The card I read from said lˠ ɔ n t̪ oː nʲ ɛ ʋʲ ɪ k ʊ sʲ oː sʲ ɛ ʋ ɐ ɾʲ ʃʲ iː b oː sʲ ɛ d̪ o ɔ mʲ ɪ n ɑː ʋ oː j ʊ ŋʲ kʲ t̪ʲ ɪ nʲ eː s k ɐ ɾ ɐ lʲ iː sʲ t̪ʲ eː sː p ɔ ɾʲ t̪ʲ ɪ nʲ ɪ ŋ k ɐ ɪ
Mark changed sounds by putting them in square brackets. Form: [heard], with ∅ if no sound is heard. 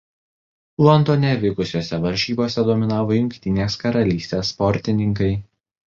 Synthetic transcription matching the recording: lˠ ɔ n t̪ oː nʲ ɛ ʋʲ ɪ k ʊ sʲ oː sʲ ɛ ʋ ɐ ɾʲ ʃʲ iː b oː sʲ ɛ d̪ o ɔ mʲ ɪ n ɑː ʋ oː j ʊ ŋʲ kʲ t̪ʲ ɪ nʲ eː s k ɐ ɾ ɐ lʲ iː sʲ t̪ʲ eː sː p ɔ ɾʲ t̪ʲ ɪ nʲ ɪ ŋ k ɐ ɪ